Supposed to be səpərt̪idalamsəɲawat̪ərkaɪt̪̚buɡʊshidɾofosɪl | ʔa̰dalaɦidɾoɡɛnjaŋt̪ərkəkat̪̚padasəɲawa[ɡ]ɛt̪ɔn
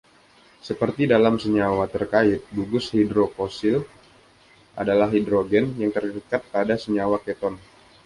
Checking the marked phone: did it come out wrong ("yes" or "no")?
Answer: yes